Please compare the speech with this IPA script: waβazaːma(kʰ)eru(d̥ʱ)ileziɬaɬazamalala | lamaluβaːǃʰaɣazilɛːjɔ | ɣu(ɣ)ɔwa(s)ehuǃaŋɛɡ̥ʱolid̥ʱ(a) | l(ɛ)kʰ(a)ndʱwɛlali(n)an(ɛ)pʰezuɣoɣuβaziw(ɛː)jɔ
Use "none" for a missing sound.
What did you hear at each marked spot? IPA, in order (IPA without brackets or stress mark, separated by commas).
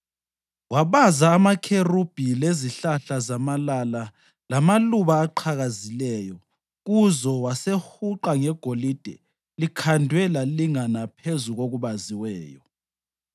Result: kʰ, b̥ʱ, z, s, ɛ, i, a, ŋ, a, ɛː